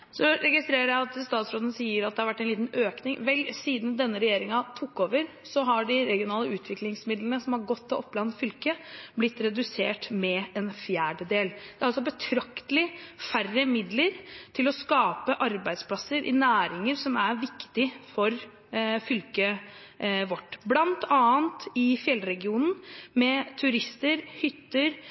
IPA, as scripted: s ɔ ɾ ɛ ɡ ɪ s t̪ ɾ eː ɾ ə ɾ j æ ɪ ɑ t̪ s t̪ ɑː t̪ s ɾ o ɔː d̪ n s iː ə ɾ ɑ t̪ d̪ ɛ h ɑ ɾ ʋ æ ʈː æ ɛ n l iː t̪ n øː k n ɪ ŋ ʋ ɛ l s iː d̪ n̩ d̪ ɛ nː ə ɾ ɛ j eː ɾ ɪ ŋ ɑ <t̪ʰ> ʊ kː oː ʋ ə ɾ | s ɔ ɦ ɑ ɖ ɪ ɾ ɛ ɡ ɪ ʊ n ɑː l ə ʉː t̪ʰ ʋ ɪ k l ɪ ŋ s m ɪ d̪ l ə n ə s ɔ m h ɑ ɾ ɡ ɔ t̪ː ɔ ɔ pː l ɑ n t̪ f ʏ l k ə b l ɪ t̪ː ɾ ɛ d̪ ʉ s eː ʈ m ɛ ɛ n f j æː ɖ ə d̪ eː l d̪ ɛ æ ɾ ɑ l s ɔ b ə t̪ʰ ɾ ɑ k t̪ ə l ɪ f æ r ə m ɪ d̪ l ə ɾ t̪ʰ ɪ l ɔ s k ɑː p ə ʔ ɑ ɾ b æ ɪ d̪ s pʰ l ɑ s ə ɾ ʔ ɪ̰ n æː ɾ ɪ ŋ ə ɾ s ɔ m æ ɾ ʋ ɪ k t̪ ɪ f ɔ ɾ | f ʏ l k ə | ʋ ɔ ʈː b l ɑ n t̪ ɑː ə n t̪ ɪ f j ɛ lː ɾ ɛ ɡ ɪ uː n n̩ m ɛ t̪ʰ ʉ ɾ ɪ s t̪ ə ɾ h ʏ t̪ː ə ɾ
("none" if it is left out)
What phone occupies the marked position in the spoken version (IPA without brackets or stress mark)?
t̪ʰ